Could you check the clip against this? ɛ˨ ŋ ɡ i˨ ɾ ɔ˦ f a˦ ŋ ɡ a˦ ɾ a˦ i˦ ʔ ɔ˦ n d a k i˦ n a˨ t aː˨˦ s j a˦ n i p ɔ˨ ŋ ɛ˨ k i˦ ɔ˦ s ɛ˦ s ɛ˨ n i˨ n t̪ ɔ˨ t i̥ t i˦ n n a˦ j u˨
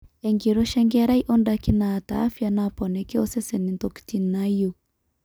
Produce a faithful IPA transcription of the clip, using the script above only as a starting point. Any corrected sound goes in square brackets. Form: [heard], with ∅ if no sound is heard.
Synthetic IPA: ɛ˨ ŋ ɡ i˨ ɾ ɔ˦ [ʃ] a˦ ŋ ɡ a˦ ɾ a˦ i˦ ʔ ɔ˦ n d a k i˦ n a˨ t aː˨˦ [f] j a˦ n [a] p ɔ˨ [n] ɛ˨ k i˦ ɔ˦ s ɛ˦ s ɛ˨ n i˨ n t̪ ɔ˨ [k] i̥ t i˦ n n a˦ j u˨